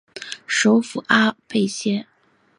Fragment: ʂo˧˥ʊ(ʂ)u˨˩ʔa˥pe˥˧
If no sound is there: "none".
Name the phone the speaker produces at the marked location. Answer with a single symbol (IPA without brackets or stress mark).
f